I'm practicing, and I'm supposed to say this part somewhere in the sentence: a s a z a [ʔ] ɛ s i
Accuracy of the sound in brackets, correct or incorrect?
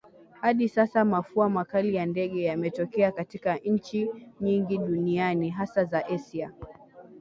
correct